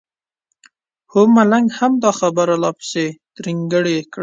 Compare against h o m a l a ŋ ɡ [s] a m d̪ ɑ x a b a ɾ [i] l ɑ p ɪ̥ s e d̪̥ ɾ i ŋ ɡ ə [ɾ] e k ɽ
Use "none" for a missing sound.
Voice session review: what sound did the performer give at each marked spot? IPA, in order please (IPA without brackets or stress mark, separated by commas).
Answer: h, a, ɽ